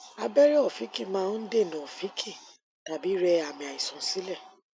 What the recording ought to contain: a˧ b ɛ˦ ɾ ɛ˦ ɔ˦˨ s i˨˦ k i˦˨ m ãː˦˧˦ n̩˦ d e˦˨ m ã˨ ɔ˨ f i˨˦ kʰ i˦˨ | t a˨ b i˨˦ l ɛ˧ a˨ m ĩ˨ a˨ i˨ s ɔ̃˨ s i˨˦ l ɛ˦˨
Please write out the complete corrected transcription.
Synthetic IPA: a˧ b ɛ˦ ɾ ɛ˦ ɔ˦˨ f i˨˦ k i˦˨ m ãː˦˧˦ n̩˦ d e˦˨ n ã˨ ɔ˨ f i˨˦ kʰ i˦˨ | t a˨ b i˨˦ ɾ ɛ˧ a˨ m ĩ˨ a˨ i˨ s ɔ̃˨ s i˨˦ l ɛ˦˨